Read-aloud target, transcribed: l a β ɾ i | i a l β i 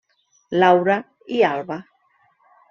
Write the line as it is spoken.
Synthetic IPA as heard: l a w ɾ a | i a l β a

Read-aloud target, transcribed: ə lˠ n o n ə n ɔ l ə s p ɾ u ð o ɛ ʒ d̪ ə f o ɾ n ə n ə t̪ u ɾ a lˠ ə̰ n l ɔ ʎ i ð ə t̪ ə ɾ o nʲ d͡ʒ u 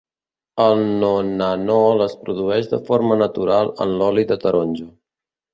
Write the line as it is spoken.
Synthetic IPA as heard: ə lˠ n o n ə n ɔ l ə s p ɾ u ð u ɛ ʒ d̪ ə f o ɾ m ə n ə t̪ u ɾ a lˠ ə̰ n l ɔ l i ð ə t̪ ə ɾ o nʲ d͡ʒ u

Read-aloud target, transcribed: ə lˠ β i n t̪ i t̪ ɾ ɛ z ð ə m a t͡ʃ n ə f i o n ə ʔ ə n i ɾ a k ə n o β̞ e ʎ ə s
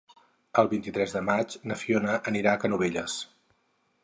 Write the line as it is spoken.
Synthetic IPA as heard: ə lˠ β i n t̪ i t̪ ɾ ɛ z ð ə m a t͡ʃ n ə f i o n ə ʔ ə n i ɾ a k ə n u β̞ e ʎ ə s

